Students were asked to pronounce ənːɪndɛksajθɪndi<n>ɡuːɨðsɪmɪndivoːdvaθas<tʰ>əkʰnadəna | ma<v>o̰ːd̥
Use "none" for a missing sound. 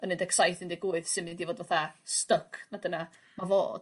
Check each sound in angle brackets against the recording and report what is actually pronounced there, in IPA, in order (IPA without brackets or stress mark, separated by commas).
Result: none, t, v